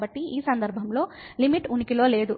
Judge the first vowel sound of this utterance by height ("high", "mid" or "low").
low